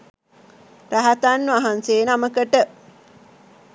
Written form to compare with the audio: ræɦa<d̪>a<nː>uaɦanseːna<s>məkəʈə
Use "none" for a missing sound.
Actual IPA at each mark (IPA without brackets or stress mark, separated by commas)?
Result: t̪, nː, none